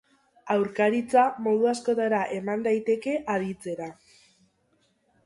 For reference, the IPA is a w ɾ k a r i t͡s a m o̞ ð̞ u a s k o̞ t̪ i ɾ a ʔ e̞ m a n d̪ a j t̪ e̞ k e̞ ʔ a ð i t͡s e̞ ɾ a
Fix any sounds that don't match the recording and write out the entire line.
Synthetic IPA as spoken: a w ɾ k a ɾ i t͡s a m o̞ ð̞ u a s k o̞ t̪ a ɾ a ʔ e̞ m a n d̪ a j t̪ e̞ k e̞ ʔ a ð i t͡s e̞ ɾ a